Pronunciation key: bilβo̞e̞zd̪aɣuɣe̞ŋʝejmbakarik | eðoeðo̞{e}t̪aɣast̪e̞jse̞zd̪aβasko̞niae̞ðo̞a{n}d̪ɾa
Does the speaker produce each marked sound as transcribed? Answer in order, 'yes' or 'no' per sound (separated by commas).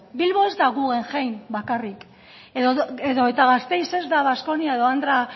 yes, yes